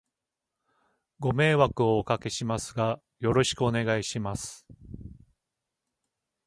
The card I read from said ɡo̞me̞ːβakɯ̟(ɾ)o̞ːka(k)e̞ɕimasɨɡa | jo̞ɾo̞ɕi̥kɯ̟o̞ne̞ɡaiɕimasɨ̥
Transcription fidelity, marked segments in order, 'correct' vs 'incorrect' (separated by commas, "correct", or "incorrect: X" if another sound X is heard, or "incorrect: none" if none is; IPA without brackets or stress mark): incorrect: none, correct